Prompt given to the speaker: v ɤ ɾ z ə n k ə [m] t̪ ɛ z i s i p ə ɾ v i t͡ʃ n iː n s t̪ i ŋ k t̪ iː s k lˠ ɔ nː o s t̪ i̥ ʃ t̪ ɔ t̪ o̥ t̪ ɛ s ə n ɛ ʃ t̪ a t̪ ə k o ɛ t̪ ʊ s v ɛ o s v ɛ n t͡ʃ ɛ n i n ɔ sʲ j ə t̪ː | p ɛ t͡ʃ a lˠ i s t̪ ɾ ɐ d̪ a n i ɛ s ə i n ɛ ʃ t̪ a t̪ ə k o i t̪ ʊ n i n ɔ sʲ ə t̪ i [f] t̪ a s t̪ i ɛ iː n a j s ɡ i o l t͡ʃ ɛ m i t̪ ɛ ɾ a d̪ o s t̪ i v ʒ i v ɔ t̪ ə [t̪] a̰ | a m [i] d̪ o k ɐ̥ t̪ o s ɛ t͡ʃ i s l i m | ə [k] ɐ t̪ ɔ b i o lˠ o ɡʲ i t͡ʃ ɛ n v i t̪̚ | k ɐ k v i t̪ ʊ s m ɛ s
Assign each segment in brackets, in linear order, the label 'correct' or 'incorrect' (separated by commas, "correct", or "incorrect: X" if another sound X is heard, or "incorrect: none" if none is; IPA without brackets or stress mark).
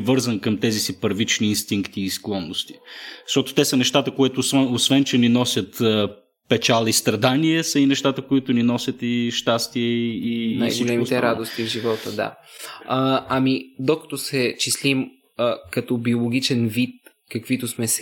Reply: correct, incorrect: ʃ, incorrect: d̪, correct, correct